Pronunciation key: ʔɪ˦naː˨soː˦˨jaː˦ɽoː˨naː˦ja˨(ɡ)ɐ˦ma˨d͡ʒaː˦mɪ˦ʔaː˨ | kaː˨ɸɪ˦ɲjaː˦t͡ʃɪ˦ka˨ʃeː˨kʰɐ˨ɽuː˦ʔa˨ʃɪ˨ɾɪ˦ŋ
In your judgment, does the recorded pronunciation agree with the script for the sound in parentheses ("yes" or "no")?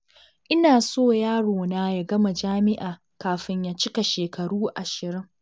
yes